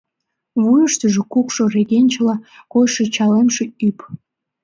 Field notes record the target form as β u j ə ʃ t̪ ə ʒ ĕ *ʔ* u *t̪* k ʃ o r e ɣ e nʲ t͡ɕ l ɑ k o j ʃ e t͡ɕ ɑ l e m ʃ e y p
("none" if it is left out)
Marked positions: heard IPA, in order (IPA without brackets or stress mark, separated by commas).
k, none